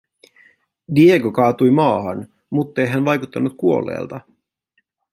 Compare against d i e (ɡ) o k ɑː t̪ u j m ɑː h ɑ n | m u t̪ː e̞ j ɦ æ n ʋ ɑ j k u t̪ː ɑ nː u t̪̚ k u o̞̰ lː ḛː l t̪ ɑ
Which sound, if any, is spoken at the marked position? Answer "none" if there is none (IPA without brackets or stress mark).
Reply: ɡ